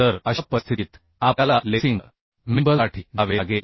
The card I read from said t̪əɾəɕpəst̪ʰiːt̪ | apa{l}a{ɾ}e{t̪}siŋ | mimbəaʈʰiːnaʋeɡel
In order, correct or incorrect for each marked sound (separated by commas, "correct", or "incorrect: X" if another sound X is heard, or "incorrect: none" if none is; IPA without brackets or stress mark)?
correct, incorrect: l, incorrect: none